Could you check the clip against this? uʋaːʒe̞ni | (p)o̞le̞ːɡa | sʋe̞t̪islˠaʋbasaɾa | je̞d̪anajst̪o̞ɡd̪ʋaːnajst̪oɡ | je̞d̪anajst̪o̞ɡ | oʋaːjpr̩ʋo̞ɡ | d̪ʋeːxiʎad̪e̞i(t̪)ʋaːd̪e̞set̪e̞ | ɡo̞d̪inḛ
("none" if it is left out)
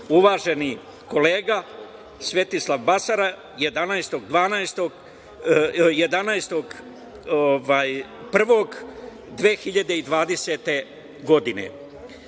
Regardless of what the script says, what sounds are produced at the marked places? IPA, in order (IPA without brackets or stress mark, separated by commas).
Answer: k, d̪